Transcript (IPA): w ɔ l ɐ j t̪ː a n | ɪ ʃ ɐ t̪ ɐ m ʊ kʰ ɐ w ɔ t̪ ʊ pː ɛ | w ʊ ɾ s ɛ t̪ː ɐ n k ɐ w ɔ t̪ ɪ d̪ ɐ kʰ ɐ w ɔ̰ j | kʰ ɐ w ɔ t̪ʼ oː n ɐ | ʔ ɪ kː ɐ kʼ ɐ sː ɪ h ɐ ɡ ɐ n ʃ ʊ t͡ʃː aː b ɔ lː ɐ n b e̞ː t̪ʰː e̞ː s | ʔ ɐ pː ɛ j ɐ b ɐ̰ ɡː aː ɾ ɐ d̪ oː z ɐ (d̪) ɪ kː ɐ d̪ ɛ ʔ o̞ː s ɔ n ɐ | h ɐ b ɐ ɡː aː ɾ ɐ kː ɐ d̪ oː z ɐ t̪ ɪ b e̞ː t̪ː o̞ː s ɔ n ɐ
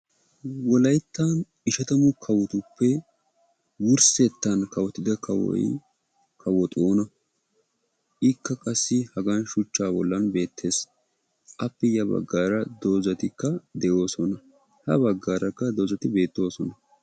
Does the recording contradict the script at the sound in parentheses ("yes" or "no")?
yes